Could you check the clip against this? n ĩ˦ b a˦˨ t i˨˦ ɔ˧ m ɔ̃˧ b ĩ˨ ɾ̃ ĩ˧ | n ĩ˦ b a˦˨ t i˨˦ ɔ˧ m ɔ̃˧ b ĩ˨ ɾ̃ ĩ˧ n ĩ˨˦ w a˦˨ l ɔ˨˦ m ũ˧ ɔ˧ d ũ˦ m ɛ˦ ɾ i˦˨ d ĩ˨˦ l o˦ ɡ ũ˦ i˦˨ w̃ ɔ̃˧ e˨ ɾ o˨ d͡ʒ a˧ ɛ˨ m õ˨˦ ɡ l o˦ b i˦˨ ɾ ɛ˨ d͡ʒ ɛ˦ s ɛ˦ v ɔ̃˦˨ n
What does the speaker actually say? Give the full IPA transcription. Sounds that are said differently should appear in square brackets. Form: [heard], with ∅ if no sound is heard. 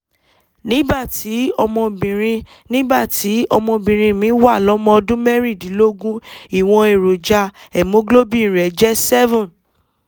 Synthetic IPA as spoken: n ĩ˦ b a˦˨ t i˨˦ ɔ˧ m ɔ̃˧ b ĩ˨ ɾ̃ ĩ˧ | n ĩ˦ b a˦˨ t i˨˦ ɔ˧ m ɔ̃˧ b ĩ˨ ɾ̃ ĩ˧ [m] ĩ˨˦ w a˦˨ l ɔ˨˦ m [ɔ̃˧] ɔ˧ d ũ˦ m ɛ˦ ɾ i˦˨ d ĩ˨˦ l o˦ ɡ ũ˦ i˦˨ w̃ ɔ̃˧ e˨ ɾ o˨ d͡ʒ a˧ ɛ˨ m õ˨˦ ɡ l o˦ b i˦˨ ɾ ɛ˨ d͡ʒ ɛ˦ s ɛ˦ v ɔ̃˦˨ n